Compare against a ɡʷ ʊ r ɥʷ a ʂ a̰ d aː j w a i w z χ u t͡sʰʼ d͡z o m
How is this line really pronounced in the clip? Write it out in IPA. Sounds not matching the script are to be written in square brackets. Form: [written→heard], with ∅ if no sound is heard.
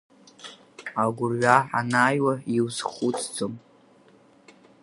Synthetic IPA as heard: a ɡʷ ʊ r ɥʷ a [ʂ→ħ] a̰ [d→n] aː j w a i w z χ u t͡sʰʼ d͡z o m